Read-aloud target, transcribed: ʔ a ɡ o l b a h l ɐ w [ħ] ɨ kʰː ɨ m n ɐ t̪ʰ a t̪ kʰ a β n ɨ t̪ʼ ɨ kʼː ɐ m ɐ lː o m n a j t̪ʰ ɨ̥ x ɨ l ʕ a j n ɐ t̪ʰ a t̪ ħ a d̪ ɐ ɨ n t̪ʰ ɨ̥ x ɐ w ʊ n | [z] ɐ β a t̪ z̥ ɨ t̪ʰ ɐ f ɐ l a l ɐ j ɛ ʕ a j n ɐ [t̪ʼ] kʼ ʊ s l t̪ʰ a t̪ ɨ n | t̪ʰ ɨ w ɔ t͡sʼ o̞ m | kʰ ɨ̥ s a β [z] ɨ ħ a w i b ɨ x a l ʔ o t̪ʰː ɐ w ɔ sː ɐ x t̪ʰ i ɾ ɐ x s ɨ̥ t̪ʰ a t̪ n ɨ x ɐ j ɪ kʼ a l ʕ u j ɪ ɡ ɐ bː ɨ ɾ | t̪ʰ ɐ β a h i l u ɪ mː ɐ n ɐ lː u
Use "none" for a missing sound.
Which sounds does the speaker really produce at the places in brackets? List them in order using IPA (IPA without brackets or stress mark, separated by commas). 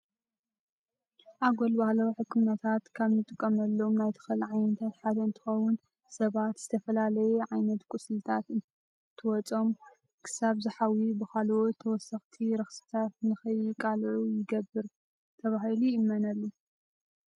ħ, s, t̪, z